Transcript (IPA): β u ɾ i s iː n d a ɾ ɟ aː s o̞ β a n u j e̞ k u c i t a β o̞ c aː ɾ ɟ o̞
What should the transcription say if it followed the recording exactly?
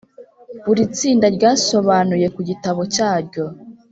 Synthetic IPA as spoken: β u ɾ i t͡s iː n d a ɾ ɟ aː s o̞ β a n u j e̞ k u ɟ i t a β o̞ c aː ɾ ɟ o̞